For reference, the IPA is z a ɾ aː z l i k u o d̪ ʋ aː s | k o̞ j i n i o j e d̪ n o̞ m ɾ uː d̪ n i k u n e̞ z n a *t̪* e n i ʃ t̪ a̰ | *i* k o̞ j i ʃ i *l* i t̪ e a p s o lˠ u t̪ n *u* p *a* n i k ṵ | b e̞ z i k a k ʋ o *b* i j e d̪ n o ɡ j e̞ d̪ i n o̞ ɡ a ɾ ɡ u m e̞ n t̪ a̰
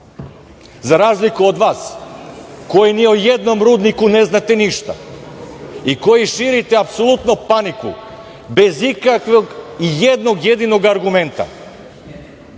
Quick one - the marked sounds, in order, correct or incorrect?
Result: correct, correct, incorrect: ɾ, incorrect: o, correct, incorrect: ɡ

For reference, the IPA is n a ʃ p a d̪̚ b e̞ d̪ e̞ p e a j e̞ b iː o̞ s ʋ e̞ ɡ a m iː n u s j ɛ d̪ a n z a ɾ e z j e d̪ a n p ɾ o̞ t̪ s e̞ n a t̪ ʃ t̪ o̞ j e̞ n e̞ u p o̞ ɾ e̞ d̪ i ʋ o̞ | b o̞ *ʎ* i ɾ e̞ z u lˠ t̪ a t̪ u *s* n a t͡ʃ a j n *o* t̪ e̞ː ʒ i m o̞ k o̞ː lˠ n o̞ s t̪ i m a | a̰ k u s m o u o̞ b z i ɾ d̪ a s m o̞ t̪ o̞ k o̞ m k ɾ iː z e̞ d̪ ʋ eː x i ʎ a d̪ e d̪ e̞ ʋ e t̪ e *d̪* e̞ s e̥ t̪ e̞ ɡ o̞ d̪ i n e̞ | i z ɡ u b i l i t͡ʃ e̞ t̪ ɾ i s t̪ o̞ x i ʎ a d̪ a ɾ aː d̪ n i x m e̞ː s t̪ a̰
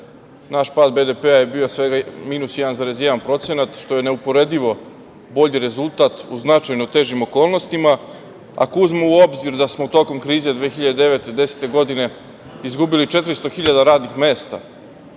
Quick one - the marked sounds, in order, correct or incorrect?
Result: correct, incorrect: z, correct, correct

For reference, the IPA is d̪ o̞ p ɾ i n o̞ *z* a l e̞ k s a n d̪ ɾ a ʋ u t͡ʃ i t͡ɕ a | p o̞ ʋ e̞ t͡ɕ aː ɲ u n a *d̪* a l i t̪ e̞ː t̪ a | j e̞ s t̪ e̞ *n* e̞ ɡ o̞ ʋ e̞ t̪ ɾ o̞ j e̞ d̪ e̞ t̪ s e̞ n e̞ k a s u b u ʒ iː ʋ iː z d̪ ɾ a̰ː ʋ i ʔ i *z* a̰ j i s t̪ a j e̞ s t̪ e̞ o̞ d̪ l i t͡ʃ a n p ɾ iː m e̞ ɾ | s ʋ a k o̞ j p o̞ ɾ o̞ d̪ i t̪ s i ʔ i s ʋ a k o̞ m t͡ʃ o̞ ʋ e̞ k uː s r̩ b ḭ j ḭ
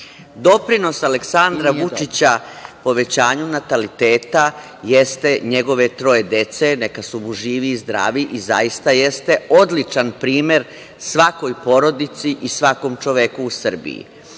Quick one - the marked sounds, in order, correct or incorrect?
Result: incorrect: s, incorrect: t̪, incorrect: ɲ, correct

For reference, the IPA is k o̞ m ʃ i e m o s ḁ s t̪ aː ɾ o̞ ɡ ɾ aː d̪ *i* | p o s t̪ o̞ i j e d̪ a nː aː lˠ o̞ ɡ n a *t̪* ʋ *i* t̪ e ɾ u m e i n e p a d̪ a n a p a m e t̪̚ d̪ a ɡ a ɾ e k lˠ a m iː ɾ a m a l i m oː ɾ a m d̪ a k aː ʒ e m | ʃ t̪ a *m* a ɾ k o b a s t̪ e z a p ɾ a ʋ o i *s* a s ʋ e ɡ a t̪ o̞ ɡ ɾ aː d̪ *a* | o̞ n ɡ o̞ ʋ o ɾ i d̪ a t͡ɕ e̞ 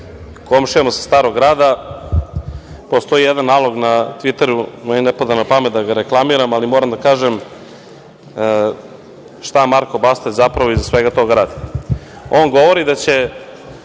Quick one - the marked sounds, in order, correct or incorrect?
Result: incorrect: a, correct, correct, correct, incorrect: z, incorrect: i

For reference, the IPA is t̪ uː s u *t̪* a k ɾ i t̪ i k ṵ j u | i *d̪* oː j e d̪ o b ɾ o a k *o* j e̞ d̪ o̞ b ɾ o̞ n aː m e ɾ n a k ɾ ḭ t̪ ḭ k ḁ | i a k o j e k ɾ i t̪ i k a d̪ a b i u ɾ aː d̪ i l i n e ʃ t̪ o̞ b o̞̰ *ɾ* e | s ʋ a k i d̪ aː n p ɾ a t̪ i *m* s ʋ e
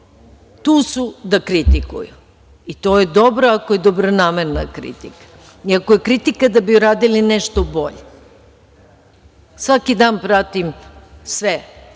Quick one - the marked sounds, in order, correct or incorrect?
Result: incorrect: d̪, incorrect: t̪, correct, incorrect: ʎ, correct

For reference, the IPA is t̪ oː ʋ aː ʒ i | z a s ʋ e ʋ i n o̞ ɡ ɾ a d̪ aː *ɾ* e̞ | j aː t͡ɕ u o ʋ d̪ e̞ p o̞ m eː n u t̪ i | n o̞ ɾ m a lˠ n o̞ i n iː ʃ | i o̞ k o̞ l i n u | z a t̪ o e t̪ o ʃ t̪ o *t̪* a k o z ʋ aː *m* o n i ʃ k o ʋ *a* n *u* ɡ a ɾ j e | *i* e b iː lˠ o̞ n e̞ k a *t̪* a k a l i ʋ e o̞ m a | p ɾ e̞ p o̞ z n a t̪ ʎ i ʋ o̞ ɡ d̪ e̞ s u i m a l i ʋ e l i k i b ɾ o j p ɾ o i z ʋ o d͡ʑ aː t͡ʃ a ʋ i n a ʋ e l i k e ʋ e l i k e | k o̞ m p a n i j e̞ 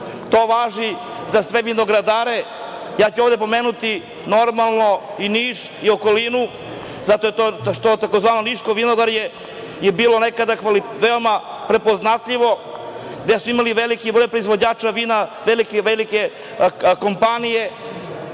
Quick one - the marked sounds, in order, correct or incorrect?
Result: correct, correct, incorrect: n, incorrect: i, incorrect: o, incorrect: j, incorrect: d̪

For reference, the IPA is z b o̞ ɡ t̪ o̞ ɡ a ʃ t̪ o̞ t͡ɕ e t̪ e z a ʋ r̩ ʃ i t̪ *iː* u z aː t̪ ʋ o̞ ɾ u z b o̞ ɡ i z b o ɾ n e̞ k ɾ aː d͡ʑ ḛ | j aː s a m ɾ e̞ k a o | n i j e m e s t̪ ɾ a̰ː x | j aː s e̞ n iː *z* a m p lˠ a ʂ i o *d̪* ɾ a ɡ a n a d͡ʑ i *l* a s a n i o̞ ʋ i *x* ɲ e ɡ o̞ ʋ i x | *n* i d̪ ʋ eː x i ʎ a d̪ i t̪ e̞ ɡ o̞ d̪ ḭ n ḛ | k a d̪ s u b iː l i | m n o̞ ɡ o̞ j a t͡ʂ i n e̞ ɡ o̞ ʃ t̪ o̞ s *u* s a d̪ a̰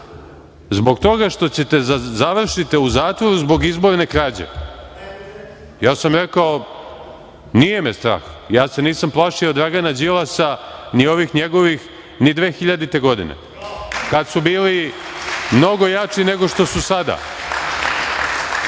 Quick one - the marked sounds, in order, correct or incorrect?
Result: incorrect: i, incorrect: s, correct, correct, correct, correct, correct

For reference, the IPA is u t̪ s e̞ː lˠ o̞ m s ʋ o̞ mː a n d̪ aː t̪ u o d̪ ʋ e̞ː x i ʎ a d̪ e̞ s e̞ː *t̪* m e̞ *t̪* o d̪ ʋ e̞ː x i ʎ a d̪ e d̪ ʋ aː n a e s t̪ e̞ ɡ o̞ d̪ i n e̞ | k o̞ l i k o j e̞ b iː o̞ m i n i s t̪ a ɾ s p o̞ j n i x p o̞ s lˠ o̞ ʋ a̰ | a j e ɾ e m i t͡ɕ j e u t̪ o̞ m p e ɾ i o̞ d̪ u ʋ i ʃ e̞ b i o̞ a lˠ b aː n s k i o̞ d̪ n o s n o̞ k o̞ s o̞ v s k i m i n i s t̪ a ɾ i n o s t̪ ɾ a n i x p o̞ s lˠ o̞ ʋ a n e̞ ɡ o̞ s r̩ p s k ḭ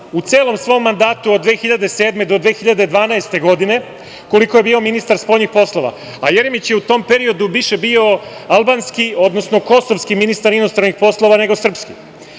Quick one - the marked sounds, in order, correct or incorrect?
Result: incorrect: d̪, incorrect: d̪

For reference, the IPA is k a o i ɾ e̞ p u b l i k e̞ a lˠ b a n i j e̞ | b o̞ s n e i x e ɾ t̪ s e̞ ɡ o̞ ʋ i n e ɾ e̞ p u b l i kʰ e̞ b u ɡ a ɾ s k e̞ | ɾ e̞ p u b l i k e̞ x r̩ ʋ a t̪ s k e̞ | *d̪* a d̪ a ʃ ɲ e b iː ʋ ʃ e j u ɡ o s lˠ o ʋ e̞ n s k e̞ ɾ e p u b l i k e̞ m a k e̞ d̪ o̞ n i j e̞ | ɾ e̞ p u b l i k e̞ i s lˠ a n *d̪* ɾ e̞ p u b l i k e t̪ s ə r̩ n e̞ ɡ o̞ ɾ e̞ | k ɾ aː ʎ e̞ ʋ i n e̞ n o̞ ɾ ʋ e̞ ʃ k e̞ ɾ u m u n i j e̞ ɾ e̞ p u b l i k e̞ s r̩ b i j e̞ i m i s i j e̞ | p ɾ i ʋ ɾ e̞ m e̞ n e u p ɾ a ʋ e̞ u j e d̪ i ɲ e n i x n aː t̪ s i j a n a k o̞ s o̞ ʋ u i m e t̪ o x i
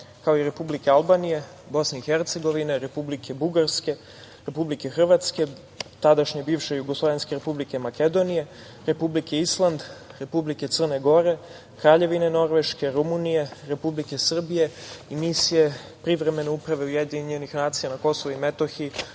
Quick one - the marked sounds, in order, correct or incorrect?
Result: incorrect: t̪, correct

